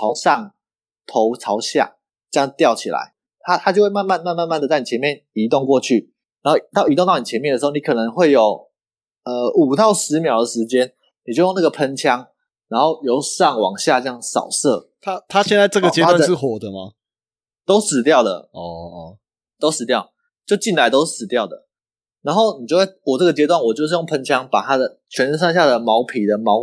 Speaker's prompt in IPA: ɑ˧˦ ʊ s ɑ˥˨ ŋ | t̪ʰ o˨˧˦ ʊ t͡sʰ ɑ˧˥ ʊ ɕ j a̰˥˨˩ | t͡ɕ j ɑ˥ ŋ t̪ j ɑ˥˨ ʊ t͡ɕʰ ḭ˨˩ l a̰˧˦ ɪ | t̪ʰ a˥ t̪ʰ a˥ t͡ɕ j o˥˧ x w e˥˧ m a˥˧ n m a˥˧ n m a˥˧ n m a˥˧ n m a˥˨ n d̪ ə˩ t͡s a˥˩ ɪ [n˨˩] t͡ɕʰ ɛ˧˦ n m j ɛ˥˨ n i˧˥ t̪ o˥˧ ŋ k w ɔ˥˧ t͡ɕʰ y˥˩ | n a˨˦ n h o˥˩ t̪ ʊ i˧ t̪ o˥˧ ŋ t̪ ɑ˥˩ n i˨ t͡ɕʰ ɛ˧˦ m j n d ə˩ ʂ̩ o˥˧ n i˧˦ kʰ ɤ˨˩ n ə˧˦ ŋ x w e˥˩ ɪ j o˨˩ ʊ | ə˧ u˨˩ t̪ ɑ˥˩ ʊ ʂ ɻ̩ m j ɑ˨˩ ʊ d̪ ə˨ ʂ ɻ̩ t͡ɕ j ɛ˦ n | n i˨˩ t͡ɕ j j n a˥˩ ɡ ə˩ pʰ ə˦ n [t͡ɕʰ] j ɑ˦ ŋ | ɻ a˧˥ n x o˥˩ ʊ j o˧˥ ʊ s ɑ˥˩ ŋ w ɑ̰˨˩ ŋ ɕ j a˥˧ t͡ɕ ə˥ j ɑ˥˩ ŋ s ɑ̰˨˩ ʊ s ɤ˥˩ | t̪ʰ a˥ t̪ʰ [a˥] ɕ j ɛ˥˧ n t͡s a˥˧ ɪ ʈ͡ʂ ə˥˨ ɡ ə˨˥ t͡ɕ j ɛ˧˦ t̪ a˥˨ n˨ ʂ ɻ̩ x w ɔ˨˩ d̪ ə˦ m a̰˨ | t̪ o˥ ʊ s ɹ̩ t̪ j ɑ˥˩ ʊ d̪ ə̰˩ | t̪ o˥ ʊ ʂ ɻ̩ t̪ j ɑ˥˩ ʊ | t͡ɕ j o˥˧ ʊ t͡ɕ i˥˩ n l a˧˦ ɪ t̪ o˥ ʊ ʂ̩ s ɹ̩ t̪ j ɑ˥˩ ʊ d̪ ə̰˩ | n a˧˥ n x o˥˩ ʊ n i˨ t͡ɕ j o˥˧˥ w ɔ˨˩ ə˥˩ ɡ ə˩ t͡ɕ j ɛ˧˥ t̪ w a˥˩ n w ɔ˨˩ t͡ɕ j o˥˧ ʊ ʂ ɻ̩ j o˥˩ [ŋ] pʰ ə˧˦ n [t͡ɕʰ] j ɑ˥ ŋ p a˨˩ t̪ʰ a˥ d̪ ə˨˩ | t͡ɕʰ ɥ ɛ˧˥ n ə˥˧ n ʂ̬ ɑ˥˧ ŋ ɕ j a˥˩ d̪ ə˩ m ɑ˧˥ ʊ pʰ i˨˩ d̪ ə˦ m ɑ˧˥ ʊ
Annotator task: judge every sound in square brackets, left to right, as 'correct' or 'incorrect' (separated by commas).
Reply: correct, correct, correct, correct, correct